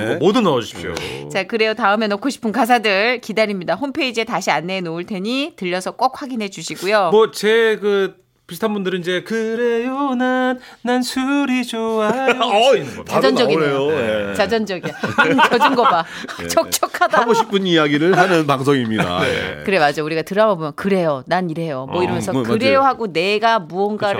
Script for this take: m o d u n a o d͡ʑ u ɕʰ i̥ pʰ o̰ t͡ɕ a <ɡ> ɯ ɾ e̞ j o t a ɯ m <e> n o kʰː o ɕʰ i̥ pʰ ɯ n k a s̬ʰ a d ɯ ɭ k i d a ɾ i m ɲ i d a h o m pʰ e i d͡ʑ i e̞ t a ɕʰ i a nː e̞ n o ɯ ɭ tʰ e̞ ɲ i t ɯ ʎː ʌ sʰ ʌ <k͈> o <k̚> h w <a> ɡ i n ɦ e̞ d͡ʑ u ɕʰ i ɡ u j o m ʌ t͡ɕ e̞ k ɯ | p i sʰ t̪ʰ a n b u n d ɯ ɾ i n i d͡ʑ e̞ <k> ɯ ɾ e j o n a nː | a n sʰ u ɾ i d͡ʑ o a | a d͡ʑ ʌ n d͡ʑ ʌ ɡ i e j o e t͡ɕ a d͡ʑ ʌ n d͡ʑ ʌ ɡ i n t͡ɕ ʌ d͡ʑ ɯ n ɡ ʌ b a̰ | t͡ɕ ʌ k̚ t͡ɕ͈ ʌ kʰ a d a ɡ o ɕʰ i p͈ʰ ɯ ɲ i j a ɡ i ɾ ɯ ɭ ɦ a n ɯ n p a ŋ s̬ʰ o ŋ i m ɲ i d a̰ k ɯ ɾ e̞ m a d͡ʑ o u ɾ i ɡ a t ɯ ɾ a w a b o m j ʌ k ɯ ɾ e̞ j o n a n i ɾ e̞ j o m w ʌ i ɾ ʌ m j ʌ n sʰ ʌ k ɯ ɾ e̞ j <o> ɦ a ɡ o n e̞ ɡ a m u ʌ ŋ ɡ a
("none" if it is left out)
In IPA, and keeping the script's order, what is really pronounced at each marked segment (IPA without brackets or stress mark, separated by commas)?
k, e, k͈, k̚, a, k, o